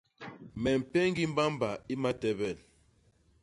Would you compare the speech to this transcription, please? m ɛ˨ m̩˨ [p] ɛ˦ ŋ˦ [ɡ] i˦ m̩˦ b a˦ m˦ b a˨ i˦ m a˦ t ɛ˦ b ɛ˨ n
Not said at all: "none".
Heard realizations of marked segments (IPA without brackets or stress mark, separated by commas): p, ɡ